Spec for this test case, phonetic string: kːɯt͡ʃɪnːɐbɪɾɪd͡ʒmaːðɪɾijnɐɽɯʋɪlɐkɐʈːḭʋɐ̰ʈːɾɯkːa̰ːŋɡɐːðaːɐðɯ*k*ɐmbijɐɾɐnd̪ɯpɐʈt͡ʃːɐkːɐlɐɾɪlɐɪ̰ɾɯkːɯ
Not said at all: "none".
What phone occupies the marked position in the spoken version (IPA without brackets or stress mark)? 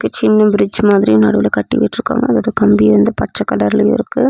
k